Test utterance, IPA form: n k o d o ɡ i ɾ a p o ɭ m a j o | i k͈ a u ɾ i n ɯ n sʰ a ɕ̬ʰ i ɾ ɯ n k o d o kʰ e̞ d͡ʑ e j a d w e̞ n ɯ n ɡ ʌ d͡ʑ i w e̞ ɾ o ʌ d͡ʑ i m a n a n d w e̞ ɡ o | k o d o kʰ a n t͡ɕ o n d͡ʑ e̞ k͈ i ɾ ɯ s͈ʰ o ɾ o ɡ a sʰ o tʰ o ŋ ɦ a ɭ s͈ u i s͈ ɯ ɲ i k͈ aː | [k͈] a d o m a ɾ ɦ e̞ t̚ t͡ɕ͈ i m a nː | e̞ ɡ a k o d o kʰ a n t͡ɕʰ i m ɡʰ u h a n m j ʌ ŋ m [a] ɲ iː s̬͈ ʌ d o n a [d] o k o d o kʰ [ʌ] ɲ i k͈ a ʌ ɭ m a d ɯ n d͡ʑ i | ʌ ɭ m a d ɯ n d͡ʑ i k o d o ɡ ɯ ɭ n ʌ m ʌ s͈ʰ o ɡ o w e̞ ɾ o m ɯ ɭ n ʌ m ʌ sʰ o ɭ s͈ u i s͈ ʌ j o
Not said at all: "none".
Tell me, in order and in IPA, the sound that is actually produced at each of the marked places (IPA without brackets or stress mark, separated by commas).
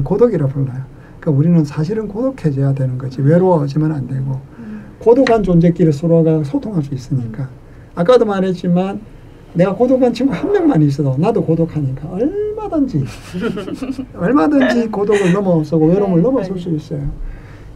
k͈, a, d, a